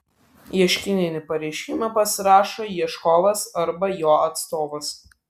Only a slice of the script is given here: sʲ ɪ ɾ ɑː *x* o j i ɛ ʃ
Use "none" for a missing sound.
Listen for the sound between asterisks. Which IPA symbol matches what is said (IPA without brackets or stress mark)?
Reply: ʃ